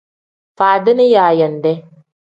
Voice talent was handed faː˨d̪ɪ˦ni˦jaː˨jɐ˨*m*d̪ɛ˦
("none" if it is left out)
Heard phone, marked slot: n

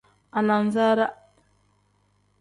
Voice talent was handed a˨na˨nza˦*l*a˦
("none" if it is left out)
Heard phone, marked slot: ɾ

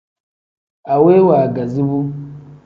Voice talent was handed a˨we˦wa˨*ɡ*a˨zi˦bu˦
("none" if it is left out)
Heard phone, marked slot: ɡ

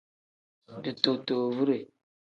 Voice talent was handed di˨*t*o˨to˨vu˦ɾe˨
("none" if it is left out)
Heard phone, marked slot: t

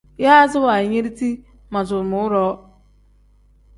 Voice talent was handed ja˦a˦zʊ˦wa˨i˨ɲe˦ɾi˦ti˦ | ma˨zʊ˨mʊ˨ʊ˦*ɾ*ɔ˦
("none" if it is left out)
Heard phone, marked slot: ɾ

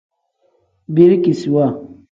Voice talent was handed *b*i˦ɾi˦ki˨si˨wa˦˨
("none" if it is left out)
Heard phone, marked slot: b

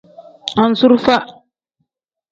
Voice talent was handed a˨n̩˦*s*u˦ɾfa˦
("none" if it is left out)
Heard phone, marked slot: s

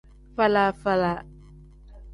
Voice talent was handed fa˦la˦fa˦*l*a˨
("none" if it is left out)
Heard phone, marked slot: l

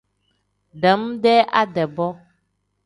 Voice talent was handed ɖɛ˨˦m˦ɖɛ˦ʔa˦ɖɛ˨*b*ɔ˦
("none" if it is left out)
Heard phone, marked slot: b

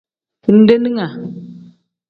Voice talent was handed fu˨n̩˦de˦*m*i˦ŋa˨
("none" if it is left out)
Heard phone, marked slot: n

